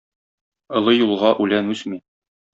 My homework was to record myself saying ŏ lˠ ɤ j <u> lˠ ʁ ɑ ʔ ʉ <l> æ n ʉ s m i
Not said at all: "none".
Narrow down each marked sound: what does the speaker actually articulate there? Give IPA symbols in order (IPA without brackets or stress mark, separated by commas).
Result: u, l